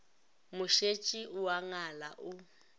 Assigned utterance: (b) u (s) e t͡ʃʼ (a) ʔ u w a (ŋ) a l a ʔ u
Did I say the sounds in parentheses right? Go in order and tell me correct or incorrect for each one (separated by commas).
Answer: incorrect, incorrect, incorrect, correct